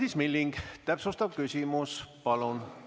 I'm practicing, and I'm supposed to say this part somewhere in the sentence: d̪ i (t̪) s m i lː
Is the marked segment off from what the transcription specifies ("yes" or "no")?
yes